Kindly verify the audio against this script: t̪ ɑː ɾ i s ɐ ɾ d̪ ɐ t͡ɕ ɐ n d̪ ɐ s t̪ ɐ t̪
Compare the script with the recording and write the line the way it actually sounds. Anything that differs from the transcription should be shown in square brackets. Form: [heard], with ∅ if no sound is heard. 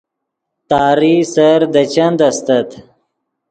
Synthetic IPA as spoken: t̪ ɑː ɾ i s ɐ ɾ d̪ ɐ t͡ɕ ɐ n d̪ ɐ s t̪ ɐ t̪